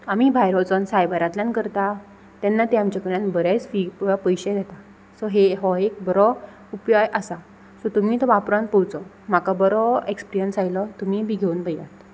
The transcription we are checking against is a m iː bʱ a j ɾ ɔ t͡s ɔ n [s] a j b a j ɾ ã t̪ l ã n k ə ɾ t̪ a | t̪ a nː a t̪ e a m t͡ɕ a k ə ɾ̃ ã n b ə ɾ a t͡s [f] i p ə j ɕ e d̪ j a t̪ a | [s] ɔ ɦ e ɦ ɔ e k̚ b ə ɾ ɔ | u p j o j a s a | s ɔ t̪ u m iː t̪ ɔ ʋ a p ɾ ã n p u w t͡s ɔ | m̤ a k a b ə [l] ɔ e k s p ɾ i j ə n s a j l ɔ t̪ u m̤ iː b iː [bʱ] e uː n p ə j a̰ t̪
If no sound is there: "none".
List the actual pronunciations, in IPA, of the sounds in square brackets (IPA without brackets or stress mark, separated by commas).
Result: s, f, s, ɾ, ɡʱ